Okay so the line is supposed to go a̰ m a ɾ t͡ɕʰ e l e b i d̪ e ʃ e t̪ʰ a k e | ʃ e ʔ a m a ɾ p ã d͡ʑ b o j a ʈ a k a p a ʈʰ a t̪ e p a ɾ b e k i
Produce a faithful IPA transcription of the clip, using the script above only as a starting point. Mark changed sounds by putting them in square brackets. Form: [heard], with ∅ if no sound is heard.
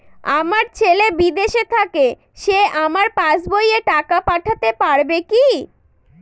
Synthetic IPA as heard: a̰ m a ɾ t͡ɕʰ e l e b i d̪ e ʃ e t̪ʰ a k e | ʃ e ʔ a m a ɾ p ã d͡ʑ b o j [e] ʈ a k a p a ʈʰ a t̪ e p a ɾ b e k i